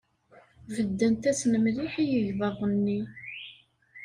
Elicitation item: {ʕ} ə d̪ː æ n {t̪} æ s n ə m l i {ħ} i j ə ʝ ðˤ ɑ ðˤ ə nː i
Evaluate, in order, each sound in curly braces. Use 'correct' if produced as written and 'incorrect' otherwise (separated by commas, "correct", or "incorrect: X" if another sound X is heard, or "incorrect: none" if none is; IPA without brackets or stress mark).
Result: incorrect: v, correct, correct